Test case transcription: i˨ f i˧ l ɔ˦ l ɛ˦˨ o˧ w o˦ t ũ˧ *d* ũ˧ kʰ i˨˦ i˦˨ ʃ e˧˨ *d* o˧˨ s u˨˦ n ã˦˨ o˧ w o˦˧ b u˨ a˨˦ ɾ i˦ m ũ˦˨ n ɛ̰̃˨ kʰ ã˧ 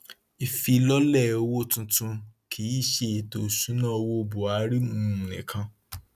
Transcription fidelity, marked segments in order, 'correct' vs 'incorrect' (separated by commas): incorrect, incorrect